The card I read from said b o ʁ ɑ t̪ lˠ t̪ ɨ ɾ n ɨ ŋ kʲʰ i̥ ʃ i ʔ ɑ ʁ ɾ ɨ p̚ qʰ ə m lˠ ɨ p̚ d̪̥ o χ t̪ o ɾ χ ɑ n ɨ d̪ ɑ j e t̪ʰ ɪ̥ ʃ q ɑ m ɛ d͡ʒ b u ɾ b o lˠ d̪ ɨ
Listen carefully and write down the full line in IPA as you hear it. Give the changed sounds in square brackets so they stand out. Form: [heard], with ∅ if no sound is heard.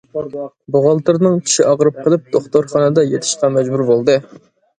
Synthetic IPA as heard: b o ʁ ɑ [∅] lˠ t̪ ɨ ɾ n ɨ ŋ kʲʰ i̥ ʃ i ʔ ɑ ʁ ɾ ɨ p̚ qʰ ə [∅] lˠ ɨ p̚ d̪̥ o χ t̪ o ɾ χ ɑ n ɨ d̪ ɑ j e t̪ʰ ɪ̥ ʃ q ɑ m ɛ d͡ʒ b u ɾ b o lˠ d̪ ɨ